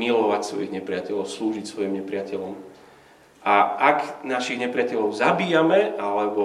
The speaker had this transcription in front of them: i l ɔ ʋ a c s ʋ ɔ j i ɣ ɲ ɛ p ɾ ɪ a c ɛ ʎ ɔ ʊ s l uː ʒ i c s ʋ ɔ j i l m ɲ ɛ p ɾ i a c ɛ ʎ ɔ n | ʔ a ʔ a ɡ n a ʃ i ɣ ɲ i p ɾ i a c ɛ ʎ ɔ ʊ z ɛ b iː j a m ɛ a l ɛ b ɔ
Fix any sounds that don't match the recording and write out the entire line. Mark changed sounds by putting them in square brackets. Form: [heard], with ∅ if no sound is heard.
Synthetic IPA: i l ɔ ʋ a c s ʋ ɔ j i ɣ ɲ ɛ p ɾ ɪ a c ɛ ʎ ɔ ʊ s l uː ʒ i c s ʋ ɔ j i [∅] m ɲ ɛ p ɾ [ɪ] a c ɛ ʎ ɔ [m] | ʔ a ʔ a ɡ n a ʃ i ɣ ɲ [ɛ] p ɾ [ɪ] a c ɛ ʎ ɔ ʊ z [a] b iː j a m ɛ a l ɛ b ɔ